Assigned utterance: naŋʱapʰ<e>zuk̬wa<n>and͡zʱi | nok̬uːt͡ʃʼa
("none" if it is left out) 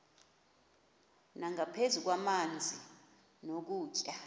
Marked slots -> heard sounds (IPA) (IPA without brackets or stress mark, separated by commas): e, m